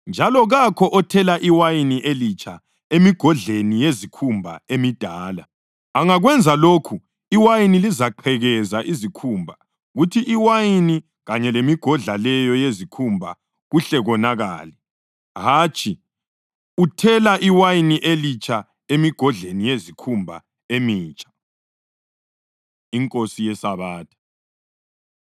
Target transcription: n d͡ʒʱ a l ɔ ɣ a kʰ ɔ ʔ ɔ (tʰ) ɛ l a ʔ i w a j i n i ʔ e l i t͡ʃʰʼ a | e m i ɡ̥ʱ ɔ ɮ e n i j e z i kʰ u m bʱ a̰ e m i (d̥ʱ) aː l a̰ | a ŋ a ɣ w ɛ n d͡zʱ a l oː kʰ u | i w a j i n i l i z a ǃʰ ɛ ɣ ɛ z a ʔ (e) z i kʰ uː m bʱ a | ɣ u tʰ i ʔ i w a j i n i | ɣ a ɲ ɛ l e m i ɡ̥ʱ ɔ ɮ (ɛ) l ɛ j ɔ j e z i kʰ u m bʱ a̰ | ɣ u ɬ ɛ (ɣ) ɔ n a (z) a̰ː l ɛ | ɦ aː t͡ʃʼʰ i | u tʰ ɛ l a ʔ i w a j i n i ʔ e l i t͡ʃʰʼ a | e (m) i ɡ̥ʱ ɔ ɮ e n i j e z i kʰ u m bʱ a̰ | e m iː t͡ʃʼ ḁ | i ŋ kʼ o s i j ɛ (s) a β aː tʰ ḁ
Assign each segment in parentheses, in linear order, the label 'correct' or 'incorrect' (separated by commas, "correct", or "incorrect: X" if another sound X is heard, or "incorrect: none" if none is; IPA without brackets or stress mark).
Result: correct, correct, incorrect: i, incorrect: a, correct, incorrect: ɣ, correct, correct